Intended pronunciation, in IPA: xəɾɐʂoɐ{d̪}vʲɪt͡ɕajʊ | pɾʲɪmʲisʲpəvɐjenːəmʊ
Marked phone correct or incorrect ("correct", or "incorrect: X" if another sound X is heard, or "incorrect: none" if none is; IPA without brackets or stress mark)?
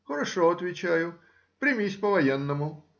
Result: incorrect: t̪